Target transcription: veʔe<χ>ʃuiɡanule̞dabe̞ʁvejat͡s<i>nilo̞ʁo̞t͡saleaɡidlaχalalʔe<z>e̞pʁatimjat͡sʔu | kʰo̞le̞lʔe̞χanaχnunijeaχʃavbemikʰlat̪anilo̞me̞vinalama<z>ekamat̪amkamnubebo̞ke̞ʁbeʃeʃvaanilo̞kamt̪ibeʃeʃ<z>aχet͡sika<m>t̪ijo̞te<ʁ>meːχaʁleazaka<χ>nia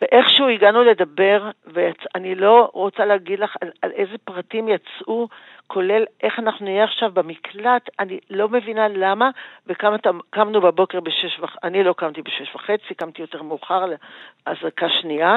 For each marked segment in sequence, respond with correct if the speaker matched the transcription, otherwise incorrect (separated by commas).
correct, incorrect, correct, incorrect, incorrect, correct, correct, incorrect